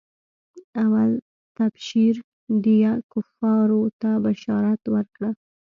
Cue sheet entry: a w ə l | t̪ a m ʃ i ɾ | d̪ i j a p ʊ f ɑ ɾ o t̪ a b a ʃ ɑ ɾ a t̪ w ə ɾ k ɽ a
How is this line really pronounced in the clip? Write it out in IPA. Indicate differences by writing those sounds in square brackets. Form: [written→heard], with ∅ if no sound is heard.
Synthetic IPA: a w [ə→a] l | t̪ a [m→b] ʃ i ɾ | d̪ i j a [p→k] ʊ f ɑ ɾ o t̪ a b a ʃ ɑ ɾ a t̪ w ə ɾ k ɽ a